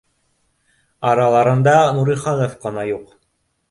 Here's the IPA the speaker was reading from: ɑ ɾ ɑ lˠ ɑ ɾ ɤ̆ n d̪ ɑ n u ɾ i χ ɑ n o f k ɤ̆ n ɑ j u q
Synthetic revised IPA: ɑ ɾ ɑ lˠ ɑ ɾ ɤ̆ n d̪ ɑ n u ɾ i χ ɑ n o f q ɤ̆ n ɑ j u q